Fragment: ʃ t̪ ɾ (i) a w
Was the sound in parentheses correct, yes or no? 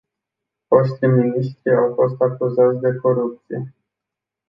yes